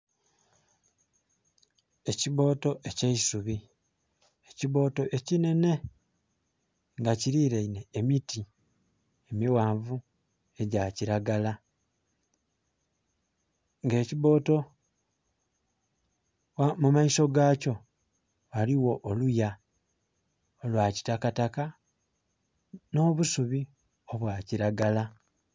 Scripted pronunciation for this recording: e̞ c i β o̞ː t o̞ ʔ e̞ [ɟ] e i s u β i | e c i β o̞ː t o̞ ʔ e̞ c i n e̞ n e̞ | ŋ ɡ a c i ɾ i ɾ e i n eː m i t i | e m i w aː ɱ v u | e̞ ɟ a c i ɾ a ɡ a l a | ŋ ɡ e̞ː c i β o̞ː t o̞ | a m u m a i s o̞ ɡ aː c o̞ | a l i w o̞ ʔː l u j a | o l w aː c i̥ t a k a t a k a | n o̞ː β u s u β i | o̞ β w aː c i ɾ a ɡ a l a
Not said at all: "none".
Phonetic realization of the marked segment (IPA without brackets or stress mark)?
c